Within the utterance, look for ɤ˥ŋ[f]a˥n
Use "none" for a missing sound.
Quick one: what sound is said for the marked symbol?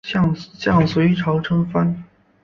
f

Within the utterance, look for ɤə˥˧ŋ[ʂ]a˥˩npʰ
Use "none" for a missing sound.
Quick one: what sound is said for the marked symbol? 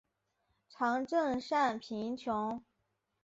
ʂ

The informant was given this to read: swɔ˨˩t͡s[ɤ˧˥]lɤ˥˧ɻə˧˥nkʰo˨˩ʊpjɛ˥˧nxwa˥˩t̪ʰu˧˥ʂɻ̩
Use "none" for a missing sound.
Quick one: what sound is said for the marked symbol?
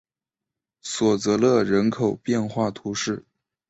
ɤ˧˥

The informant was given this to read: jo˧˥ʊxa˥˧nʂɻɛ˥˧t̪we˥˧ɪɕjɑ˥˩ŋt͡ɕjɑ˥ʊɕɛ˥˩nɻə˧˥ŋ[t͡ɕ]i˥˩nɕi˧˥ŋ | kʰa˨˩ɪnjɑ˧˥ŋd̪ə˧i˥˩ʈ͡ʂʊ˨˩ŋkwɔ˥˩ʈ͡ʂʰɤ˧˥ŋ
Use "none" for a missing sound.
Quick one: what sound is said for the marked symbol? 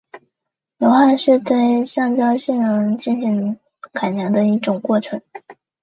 t͡ɕ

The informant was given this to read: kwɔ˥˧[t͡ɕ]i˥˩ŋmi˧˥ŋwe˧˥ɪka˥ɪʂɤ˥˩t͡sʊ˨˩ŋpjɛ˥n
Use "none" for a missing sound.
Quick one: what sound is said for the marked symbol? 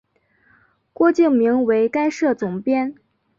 t͡ɕ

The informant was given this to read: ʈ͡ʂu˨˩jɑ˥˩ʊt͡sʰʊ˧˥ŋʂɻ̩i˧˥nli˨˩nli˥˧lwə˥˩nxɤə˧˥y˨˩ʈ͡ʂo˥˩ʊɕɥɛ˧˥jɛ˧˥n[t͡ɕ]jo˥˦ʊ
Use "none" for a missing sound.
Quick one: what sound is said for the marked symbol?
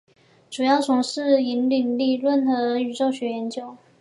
t͡ɕ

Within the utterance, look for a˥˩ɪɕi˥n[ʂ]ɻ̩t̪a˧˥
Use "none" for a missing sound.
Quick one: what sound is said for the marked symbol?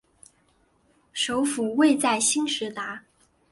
ʂ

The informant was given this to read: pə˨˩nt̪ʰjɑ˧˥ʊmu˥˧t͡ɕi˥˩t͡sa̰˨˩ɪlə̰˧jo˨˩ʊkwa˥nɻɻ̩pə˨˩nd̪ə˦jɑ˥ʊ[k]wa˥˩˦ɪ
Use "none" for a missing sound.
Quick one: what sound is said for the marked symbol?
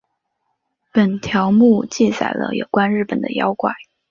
k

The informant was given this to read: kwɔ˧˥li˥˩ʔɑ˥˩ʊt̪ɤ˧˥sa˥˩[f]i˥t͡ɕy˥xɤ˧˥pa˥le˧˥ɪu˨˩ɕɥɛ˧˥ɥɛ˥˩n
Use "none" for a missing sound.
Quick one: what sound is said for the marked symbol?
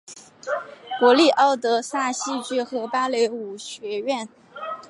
ɕ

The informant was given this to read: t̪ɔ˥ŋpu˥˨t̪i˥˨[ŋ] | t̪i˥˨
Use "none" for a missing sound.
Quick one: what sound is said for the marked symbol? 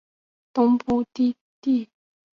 none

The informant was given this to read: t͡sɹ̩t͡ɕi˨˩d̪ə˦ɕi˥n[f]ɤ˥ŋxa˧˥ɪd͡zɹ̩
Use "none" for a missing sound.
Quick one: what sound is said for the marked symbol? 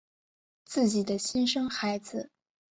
ʂ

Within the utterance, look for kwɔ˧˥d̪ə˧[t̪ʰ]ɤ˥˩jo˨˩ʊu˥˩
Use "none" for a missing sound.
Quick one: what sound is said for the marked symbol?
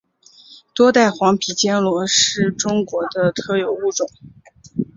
t̪ʰ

